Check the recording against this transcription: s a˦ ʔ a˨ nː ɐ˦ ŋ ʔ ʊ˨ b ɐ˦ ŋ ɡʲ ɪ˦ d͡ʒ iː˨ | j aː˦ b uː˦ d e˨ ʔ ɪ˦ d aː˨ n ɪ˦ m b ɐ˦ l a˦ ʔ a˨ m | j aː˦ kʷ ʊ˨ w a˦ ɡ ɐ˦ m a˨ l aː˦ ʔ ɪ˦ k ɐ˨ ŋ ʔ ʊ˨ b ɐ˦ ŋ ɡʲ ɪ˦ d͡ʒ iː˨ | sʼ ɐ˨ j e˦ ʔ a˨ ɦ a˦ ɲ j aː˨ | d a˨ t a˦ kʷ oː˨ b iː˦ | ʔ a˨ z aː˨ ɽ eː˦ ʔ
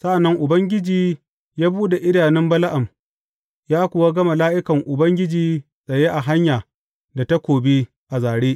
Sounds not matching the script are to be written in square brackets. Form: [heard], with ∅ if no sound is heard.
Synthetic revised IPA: s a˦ ʔ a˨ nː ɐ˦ ŋ ʔ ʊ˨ b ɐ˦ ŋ ɡʲ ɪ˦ d͡ʒ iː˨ | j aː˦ b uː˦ d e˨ ʔ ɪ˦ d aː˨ n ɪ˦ m b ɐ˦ l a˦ ʔ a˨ m | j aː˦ kʷ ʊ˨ w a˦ ɡ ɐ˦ m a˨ l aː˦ ʔ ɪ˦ k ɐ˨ ŋ ʔ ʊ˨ b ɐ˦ ŋ ɡʲ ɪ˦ d͡ʒ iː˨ | sʼ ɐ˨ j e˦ ʔ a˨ ɦ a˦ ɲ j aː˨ | d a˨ t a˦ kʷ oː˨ b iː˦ | ʔ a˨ z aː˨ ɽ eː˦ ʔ

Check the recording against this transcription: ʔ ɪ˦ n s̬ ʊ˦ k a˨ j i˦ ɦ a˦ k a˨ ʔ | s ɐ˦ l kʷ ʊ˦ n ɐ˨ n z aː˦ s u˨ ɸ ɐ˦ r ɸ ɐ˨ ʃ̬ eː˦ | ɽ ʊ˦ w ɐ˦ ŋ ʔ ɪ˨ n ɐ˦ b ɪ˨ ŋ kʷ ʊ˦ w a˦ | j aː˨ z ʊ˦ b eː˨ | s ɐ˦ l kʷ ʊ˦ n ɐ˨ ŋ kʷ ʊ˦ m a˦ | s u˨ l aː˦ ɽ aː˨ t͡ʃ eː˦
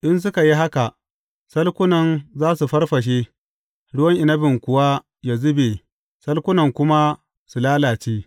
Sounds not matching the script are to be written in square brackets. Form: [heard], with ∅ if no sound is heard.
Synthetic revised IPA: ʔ ɪ˦ n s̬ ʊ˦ k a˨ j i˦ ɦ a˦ k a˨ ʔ | s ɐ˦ l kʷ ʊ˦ n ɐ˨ n z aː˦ s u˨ ɸ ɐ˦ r ɸ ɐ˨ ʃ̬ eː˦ | ɽ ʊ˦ w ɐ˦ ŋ ʔ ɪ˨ n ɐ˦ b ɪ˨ ŋ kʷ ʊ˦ w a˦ | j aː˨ z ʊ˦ b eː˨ | s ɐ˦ l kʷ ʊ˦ n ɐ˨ ŋ kʷ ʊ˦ m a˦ | s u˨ l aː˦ [l] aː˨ t͡ʃ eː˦

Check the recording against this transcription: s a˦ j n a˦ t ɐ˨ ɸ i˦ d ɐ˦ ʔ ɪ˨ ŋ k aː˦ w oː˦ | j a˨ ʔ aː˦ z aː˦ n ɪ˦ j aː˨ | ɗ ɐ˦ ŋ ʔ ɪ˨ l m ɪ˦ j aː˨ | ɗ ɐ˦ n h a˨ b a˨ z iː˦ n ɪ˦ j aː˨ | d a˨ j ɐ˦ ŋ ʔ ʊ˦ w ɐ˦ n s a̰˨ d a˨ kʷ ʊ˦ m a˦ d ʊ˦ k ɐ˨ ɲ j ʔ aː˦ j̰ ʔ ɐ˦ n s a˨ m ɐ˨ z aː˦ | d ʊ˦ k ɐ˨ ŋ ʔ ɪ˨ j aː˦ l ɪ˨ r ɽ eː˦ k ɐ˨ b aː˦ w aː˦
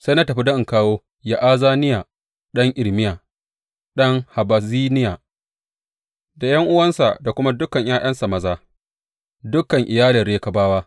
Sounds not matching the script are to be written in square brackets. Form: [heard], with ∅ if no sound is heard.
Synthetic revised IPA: s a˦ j n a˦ t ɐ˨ ɸ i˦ d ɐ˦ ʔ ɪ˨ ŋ k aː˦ w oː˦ | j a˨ ʔ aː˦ z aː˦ n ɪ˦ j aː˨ | ɗ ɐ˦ ŋ ʔ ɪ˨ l m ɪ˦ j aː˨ | ɗ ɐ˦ [ŋ] h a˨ b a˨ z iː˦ n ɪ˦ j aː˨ | d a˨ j ɐ˦ ŋ ʔ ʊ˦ w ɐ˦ n s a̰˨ d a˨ kʷ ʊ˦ m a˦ d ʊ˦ k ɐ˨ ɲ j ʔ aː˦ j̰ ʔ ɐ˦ n s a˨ m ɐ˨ z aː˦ | d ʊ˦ k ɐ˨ ŋ ʔ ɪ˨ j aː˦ l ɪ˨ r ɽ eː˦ k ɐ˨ b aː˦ w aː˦

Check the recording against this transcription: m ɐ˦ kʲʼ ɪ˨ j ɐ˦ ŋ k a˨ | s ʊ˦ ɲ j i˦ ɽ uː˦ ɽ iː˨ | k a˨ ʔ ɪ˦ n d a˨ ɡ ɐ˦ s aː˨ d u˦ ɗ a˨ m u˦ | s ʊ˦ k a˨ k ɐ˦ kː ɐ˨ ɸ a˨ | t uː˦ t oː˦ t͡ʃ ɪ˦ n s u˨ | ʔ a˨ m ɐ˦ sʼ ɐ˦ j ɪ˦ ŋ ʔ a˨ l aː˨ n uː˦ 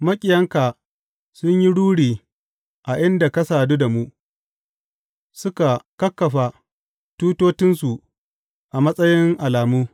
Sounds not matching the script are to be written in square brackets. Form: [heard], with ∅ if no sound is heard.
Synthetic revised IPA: m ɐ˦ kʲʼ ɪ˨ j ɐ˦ ŋ k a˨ | s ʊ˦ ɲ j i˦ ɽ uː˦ ɽ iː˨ | [ʔ] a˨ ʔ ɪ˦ n d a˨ [k] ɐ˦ s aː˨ d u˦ [d] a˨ m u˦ | s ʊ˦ k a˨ k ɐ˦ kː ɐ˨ ɸ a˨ | t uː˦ t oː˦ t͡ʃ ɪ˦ n s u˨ | ʔ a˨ m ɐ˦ sʼ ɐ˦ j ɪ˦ ŋ ʔ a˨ l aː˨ [m] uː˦

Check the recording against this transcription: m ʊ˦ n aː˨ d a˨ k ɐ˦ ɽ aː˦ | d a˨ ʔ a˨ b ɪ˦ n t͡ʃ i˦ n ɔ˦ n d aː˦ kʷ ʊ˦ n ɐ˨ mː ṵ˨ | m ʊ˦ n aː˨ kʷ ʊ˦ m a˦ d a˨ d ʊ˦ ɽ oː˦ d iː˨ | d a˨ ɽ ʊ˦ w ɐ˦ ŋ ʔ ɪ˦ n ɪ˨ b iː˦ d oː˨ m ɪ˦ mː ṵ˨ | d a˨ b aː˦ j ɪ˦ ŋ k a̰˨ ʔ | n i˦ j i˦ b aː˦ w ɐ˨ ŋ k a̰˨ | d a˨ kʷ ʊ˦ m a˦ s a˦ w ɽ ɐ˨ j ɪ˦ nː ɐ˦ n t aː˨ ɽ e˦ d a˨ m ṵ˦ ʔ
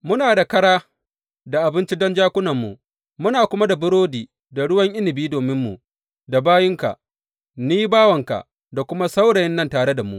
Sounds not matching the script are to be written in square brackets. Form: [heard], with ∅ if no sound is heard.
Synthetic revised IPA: m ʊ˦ n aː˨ d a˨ k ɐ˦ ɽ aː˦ | d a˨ ʔ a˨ b ɪ˦ n t͡ʃ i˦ [d] ɔ˦ n [d͡ʒ] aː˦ kʷ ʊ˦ n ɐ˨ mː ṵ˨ | m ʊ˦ n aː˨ kʷ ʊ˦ m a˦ d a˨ [b] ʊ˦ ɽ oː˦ d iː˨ | d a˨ ɽ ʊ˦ w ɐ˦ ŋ ʔ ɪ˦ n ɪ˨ b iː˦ d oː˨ m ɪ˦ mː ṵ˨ | d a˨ b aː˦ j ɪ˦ ŋ k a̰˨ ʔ | n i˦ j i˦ b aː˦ w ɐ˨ ŋ k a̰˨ | d a˨ kʷ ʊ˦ m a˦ s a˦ w ɽ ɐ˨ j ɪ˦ nː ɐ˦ n t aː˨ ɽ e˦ d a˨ m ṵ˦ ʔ

